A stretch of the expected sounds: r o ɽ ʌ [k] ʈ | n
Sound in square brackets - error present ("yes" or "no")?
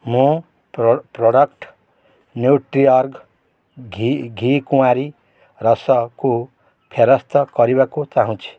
no